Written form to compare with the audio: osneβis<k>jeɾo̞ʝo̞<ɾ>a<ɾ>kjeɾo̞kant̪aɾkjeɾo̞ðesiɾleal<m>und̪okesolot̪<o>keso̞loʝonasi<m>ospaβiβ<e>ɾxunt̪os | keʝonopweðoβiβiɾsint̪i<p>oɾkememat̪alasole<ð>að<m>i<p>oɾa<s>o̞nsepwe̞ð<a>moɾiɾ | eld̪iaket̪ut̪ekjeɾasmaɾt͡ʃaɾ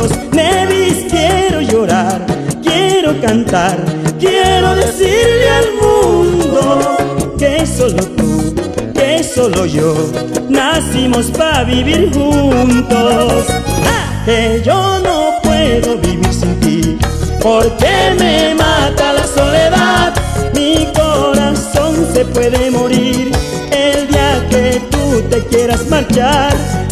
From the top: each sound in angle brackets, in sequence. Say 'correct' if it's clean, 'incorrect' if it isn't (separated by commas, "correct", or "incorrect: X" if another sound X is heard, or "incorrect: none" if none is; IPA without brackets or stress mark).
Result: correct, correct, correct, correct, incorrect: u, correct, incorrect: i, correct, correct, correct, incorrect: k, correct, incorrect: e